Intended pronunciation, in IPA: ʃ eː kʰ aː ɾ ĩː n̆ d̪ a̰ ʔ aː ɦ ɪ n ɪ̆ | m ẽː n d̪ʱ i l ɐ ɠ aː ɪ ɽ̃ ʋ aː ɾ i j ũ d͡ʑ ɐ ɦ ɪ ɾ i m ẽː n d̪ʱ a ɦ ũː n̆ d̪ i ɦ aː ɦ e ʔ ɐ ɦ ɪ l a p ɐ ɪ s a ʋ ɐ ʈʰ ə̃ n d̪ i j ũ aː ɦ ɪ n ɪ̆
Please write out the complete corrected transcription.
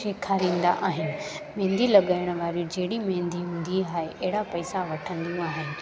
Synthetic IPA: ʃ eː kʰ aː ɾ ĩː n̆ d̪ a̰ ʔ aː ɦ ɪ n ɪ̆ | m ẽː n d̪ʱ i l ɐ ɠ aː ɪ ɽ̃ ʋ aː ɾ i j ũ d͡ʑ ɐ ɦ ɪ ɽ i m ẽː n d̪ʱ i ɦ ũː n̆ d̪ i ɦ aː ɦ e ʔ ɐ ɦ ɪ ɽ a p ɐ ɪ s a ʋ ɐ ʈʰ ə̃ n d̪ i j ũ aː ɦ ɪ n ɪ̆